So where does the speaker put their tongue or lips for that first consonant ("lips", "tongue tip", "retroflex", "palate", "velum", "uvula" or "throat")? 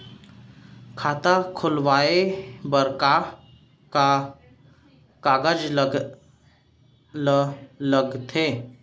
velum